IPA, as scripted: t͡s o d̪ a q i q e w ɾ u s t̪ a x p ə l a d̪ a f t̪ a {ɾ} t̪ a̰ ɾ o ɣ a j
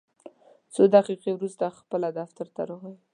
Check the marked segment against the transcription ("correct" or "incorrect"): correct